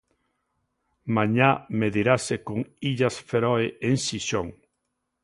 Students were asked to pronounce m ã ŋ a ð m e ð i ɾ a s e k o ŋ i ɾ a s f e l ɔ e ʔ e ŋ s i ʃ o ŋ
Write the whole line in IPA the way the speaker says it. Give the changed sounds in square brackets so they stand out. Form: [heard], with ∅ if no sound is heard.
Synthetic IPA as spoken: m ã [ɲ] a [∅] m e ð i ɾ a s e k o ŋ i [ʎ] a s f e [ɾ] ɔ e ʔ e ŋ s i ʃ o ŋ